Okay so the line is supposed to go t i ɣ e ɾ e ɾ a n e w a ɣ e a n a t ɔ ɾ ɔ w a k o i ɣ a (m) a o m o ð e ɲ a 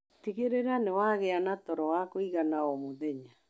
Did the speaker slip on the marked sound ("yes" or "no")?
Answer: yes